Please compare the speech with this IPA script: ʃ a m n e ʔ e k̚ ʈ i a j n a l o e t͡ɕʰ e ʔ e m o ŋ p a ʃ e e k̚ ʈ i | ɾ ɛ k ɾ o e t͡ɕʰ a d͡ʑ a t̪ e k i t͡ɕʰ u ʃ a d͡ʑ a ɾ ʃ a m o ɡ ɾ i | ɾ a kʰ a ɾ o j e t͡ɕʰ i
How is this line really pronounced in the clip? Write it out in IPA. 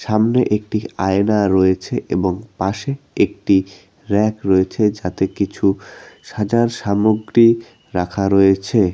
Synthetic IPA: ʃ a m n e ʔ e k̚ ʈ i a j n a ɾ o e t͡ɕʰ e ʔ e b o ŋ p a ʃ e e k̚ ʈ i | ɾ ɛ k ɾ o e t͡ɕʰ e d͡ʑ a t̪ e k i t͡ɕʰ u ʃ a d͡ʑ a ɾ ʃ a m o ɡ ɾ i | ɾ a kʰ a ɾ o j e t͡ɕʰ e